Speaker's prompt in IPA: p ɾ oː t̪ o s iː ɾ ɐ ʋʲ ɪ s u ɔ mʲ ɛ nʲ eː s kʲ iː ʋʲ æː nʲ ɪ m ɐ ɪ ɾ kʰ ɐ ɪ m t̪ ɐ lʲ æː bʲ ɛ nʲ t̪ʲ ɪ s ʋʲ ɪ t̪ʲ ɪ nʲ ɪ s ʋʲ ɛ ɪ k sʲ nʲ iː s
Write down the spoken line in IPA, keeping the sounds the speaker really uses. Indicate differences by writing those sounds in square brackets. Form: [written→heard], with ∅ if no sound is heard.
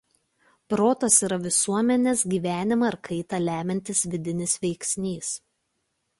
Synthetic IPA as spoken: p ɾ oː t̪ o s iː ɾ ɐ ʋʲ ɪ s u ɔ mʲ ɛ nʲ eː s [kʲ→ɡʲ] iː ʋʲ æː nʲ ɪ m ɐ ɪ ɾ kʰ ɐ ɪ [m→∅] t̪ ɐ lʲ æː [bʲ→mʲ] ɛ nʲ t̪ʲ ɪ s ʋʲ ɪ [t̪ʲ→d̪ʲ] ɪ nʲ ɪ s ʋʲ ɛ ɪ k sʲ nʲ iː s